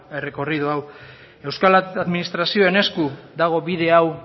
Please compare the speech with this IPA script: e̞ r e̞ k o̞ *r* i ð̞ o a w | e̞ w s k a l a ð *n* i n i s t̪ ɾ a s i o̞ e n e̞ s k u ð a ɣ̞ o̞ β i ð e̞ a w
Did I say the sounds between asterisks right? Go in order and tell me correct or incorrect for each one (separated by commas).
correct, incorrect